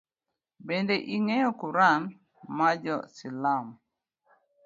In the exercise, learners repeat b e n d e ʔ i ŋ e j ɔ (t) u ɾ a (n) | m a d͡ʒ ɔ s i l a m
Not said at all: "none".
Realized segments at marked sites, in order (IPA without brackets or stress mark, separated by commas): k, n